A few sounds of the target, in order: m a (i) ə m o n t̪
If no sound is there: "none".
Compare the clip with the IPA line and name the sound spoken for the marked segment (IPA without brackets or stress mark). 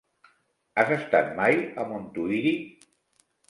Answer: j